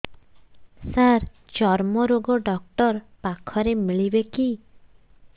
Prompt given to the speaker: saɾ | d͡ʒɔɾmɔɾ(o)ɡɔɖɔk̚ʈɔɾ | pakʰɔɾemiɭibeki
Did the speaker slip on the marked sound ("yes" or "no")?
no